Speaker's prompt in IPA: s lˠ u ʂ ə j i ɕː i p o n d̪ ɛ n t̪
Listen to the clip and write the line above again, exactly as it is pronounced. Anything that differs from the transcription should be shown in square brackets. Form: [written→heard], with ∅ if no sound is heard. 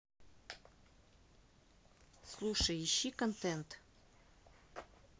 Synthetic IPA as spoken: s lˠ u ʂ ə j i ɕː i [p→k] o n [d̪→t̪] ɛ n t̪